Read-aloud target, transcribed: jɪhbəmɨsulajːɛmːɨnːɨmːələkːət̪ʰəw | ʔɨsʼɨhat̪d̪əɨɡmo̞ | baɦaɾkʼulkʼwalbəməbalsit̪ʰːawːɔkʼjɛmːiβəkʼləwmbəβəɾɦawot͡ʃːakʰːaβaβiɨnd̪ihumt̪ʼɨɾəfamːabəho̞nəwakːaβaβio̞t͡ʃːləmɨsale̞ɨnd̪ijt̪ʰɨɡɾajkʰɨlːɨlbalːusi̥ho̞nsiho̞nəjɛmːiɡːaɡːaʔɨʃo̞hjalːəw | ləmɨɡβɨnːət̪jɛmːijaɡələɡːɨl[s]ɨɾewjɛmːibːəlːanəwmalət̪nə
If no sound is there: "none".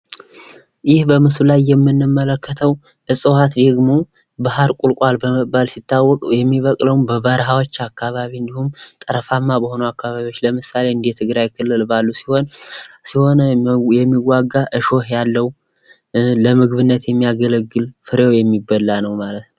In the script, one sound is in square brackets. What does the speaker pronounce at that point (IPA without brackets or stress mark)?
f